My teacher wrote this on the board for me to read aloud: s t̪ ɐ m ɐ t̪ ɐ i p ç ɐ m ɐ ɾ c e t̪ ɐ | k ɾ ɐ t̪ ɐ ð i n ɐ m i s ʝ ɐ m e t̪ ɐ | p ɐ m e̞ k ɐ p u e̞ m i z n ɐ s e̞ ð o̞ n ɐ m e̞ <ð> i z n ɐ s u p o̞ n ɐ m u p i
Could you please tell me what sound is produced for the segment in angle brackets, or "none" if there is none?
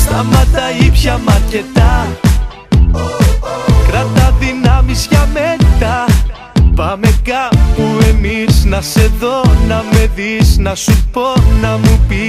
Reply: ð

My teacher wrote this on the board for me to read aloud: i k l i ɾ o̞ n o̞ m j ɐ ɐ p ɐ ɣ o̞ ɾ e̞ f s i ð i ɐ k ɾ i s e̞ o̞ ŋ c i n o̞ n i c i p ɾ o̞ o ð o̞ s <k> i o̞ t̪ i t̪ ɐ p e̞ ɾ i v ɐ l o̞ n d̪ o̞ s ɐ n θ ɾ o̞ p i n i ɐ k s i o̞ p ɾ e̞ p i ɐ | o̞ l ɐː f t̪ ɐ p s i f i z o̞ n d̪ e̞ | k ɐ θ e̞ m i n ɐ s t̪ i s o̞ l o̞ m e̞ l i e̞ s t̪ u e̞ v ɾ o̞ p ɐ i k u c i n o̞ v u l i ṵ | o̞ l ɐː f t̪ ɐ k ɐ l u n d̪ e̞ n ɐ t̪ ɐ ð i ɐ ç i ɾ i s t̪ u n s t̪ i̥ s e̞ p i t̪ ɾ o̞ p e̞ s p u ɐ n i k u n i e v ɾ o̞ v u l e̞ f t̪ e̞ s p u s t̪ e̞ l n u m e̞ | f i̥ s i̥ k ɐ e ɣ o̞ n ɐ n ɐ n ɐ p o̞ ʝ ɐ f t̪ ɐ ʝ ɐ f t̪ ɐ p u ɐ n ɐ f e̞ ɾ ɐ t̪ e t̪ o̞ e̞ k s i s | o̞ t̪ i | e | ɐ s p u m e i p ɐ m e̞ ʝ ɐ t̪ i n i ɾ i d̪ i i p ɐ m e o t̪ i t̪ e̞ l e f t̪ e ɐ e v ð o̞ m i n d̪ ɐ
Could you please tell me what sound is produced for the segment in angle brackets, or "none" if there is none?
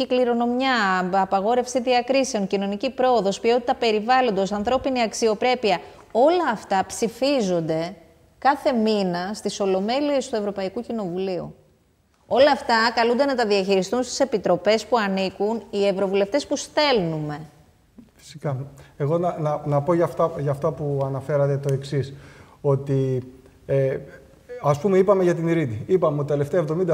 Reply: p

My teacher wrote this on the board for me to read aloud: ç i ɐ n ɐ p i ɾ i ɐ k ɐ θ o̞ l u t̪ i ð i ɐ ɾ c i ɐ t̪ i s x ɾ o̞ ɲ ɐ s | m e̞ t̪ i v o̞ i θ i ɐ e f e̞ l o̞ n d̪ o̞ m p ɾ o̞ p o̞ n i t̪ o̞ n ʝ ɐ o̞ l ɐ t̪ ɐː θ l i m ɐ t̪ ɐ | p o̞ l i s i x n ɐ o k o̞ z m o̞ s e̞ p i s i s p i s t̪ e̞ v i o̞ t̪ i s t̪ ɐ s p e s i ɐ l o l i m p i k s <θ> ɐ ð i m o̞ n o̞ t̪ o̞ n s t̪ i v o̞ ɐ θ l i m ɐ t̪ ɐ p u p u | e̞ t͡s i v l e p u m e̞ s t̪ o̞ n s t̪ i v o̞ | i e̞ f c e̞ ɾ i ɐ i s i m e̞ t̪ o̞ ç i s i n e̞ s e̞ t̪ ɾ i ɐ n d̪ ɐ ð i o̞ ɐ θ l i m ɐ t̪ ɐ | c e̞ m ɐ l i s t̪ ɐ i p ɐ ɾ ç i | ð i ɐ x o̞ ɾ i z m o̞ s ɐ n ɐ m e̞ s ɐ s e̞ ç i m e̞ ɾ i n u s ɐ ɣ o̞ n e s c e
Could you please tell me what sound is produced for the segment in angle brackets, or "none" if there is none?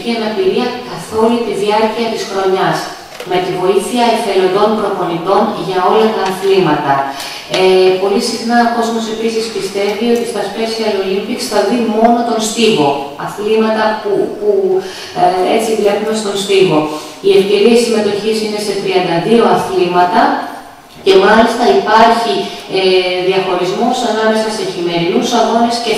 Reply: θ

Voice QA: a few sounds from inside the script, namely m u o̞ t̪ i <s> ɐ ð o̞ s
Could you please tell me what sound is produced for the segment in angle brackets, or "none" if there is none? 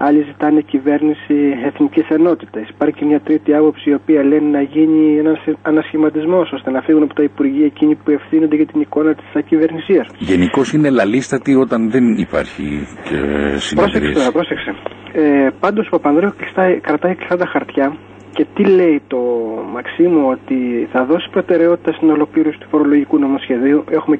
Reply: θ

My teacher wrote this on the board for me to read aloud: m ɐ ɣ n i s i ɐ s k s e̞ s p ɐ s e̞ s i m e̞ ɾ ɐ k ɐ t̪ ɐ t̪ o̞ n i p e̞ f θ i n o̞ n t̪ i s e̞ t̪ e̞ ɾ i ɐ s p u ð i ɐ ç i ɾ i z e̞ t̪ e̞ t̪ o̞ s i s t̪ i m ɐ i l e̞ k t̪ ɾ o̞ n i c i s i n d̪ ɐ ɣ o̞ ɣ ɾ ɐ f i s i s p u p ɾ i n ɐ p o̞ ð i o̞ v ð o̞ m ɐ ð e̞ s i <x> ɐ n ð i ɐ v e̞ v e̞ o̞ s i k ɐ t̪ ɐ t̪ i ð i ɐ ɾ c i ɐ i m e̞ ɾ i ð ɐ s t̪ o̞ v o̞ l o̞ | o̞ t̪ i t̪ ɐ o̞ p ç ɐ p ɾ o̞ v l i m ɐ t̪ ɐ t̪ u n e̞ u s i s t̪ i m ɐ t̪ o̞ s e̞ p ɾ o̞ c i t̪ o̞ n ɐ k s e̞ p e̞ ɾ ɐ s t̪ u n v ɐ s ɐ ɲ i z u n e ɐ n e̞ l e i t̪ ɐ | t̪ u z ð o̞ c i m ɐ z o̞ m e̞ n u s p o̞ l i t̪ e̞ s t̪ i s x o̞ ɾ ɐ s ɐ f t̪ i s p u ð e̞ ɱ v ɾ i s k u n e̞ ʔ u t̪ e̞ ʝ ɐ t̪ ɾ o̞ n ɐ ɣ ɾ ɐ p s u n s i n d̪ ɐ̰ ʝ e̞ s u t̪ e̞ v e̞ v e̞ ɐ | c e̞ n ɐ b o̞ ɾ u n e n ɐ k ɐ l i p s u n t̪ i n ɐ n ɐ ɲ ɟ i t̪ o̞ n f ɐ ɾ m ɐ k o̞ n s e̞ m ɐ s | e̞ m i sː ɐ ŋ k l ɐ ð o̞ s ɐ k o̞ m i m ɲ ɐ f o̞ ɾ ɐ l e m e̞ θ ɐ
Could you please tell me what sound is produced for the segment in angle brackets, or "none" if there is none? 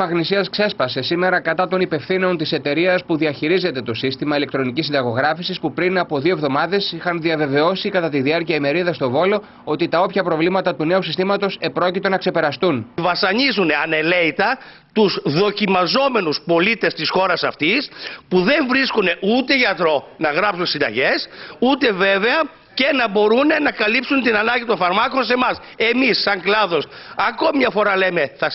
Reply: x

